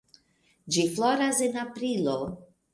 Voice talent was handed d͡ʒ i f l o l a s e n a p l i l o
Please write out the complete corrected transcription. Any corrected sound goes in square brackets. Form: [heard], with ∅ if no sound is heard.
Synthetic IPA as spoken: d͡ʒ i f l o [ɾ] a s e n a p [ɾ] i l o